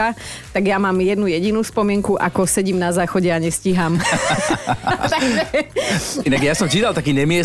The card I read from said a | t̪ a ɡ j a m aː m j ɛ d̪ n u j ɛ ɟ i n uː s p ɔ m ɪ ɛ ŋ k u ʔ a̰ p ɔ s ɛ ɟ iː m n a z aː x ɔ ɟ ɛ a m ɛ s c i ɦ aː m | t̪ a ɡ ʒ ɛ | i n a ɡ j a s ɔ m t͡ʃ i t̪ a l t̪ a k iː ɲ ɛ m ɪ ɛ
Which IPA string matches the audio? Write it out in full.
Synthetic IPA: a | t̪ a ɡ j a m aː m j ɛ d̪ n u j ɛ ɟ i n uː s p ɔ m ɪ ɛ ŋ k u ʔ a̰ k ɔ s ɛ ɟ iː m n a z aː x ɔ ɟ ɛ a ɲ ɛ s c i ɦ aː m | t̪ a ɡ ʒ ɛ | i n a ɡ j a s ɔ m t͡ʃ i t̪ a l t̪ a k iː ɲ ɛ m ɪ ɛ